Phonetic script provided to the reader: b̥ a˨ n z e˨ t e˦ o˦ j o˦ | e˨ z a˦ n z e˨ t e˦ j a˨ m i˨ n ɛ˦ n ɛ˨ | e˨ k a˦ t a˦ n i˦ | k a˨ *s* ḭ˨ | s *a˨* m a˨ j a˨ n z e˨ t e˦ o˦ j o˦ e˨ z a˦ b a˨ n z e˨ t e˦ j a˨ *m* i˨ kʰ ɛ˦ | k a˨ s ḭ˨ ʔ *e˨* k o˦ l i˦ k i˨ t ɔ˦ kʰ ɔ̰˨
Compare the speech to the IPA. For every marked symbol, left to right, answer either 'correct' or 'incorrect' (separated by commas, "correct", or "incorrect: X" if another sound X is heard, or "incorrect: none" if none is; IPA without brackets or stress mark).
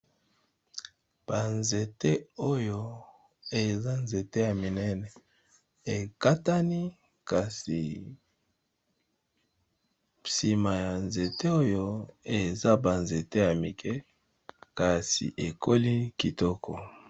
correct, incorrect: i˨, correct, correct